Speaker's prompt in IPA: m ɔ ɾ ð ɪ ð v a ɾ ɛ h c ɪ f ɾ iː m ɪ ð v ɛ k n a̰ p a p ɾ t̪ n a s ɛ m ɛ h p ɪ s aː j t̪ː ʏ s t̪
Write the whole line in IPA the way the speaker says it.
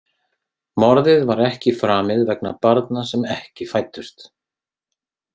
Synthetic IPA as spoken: m ɔ ɾ ð ɪ ð v a ɾ ɛ h c ɪ f ɾ aː m ɪ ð v ɛ k n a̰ p a ɾ t̪ n a s ɛ m ɛ h c ɪ f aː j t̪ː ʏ s t̪